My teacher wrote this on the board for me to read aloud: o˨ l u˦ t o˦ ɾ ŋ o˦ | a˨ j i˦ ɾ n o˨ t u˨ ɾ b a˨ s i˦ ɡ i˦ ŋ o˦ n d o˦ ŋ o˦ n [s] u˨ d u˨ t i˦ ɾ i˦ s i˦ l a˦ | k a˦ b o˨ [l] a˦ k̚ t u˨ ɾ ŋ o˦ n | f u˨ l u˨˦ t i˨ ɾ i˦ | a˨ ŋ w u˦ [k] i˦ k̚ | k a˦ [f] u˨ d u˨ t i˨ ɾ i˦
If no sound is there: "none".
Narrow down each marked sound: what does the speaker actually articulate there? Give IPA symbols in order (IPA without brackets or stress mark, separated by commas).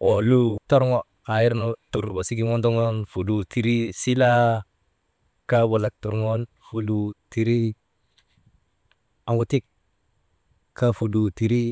f, l, t, f